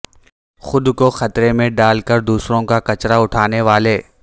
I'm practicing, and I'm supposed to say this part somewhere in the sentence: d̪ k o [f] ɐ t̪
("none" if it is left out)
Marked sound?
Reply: x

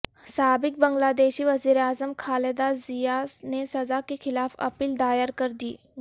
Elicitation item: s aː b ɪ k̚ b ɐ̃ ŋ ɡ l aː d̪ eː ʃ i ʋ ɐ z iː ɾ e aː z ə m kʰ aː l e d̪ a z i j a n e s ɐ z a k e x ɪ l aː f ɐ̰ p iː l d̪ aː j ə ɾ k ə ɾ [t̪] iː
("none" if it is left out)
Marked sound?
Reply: d̪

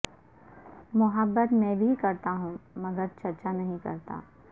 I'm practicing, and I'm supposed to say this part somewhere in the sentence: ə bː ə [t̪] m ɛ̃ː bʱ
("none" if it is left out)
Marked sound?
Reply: t̪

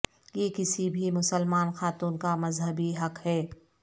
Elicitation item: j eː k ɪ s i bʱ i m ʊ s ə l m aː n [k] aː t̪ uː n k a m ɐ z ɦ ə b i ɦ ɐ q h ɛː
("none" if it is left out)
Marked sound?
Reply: x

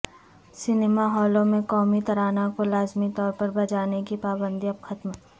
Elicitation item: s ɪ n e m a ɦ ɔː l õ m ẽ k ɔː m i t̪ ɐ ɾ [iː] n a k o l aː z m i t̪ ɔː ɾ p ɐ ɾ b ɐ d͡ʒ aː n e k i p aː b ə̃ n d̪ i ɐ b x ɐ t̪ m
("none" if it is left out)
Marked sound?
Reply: aː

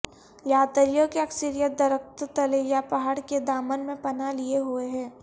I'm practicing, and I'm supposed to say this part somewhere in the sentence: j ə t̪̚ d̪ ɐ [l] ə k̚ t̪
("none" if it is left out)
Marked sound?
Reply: ɾ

